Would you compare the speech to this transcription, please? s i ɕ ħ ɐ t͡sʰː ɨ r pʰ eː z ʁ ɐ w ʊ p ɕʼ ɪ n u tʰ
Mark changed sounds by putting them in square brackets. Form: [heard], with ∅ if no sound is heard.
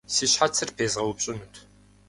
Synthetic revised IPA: s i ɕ ħ [a] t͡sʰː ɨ r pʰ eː z ʁ ɐ w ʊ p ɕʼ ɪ n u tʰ